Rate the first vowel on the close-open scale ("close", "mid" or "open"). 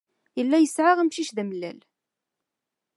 mid